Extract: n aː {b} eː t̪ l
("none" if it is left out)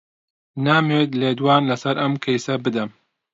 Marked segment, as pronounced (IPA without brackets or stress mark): m